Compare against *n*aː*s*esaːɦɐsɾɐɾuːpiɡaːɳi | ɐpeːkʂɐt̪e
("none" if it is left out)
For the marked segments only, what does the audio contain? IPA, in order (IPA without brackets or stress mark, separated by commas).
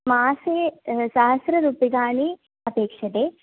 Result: m, s